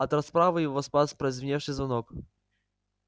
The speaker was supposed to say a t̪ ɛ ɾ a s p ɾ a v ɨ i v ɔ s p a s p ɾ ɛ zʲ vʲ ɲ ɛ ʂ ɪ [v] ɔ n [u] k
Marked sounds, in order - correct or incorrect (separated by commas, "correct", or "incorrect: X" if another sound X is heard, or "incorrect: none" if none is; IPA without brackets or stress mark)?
incorrect: z, incorrect: ɔ